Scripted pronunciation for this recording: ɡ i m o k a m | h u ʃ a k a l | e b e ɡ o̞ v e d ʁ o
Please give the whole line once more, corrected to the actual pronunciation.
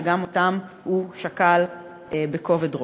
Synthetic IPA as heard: ɡ a m o t a m | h u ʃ a k a l | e b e k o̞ v e d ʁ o

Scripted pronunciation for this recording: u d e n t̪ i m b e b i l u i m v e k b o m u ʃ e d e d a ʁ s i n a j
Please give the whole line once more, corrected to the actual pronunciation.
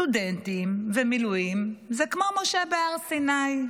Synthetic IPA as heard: u d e n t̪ i m v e m i l u i m z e k m o m o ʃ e b e a ʁ s i n a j

